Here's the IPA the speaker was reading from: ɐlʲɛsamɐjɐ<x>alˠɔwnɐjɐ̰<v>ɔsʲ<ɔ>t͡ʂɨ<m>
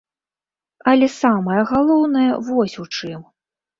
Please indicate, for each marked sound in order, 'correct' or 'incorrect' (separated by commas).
incorrect, correct, incorrect, correct